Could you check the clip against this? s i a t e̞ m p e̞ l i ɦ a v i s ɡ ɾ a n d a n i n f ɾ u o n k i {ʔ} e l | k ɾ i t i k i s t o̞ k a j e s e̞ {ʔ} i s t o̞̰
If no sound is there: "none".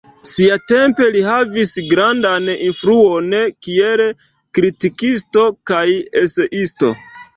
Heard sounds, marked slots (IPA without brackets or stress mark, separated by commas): none, ʔ